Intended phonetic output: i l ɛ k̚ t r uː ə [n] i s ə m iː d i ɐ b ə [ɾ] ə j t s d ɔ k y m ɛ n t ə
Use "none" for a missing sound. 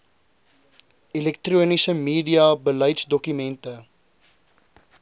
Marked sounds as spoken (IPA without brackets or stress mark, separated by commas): n, l